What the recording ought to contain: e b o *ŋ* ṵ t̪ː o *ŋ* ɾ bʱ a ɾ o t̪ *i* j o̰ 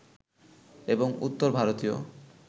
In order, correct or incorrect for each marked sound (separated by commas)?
correct, incorrect, correct